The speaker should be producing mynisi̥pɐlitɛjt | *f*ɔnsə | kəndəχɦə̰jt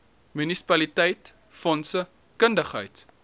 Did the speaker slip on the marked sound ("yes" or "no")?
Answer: no